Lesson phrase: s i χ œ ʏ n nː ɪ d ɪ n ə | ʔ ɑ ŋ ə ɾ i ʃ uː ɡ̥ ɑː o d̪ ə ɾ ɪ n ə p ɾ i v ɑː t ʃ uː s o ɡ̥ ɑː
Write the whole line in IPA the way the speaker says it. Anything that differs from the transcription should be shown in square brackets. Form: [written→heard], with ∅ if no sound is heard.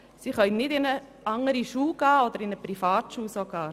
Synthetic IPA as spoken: s i χ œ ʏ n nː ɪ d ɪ n ə | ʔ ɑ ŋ ə ɾ i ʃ uː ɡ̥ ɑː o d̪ ə ɾ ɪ n ə p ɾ i [v→f] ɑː t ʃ uː s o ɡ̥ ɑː

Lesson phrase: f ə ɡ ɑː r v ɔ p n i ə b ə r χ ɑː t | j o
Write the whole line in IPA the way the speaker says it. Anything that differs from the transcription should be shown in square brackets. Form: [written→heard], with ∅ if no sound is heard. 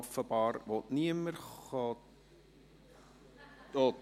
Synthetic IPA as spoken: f ə [ɡ→b] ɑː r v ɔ [p→t] n i ə [b→m] ə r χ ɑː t | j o

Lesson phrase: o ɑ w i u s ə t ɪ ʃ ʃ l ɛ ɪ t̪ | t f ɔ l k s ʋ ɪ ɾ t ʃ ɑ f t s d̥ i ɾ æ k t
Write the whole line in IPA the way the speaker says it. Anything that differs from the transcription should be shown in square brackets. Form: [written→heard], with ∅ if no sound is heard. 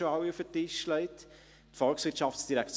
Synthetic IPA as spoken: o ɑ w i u [s→f] ə t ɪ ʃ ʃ l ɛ ɪ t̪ | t f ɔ l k s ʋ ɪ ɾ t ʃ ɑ f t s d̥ i ɾ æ k [t→t͡s]

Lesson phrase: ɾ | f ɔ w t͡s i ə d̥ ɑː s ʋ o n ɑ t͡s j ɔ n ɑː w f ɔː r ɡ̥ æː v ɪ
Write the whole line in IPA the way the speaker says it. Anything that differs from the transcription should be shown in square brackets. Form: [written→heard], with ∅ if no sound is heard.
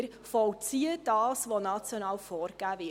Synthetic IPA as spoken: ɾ | f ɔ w t͡s i ə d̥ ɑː s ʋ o n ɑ t͡s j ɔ n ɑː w f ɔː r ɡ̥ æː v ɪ

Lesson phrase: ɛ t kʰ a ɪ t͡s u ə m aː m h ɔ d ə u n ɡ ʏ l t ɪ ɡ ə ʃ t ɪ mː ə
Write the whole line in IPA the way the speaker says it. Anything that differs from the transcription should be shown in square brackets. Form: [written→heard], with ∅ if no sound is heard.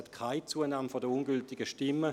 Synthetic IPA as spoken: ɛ t kʰ a ɪ t͡s u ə [m→n] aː m [h→f] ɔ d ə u n ɡ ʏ l t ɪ ɡ ə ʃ t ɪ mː ə

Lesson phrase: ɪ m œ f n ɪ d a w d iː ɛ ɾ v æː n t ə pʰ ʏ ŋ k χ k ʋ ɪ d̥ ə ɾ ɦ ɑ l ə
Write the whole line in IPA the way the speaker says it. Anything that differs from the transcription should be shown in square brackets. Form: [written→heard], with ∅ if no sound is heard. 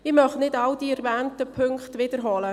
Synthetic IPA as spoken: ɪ m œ [f→χ] n ɪ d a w d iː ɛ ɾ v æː n t ə pʰ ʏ ŋ k χ [k→t] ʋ ɪ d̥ ə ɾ ɦ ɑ l ə

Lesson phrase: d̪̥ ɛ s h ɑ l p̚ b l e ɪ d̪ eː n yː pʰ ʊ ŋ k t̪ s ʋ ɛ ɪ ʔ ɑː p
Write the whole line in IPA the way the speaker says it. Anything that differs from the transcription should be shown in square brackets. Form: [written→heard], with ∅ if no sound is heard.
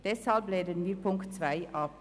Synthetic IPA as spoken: d̪̥ ɛ s h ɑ l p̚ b l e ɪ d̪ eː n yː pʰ ʊ ŋ k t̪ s ʋ [ɛ→æ] ɪ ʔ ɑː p

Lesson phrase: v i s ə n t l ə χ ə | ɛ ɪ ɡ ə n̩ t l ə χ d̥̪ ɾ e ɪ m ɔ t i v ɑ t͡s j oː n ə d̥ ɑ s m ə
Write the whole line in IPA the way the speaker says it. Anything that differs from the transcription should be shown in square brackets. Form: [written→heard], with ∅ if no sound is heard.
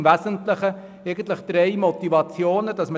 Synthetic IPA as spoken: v [i→æ] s ə n t l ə χ ə | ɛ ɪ ɡ ə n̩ t l ə χ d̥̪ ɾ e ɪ m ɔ t i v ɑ t͡s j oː n ə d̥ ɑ s m ə

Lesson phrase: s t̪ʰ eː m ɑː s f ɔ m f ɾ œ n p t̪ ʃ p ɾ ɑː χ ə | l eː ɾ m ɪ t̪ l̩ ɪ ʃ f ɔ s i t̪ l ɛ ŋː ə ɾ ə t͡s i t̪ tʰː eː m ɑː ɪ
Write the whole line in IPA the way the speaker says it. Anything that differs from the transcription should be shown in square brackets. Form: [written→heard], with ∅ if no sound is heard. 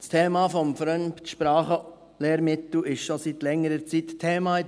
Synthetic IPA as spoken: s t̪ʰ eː m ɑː [s→∅] f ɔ m f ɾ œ n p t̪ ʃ p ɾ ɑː χ ə | l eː ɾ m ɪ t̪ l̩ ɪ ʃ [f→ʃ] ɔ s i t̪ l ɛ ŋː ə ɾ ə t͡s i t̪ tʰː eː m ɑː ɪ

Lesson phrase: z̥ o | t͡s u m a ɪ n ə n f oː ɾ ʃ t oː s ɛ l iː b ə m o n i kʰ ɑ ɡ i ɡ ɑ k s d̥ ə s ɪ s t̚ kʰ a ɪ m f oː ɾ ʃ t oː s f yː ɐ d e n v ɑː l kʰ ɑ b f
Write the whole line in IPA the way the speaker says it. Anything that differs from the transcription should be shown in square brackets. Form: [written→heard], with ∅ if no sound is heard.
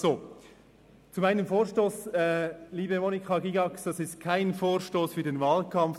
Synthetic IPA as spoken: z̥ o | t͡s u m a ɪ n ə [n→m] f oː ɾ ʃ t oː s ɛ l iː b ə m o n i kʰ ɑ ɡ i ɡ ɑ k s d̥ [ə→ɑ] s ɪ s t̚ kʰ a ɪ [m→n] f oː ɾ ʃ t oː s f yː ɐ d e n v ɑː l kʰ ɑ [b→m] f

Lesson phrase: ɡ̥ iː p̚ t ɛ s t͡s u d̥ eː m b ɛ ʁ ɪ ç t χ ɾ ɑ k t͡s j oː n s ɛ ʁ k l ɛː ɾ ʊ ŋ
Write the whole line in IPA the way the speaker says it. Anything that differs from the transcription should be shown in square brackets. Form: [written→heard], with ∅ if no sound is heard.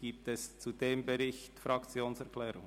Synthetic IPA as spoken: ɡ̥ iː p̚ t ɛ s t͡s u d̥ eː m b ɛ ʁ ɪ ç t [χ→f] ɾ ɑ k t͡s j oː n s ɛ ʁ k l ɛː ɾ ʊ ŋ

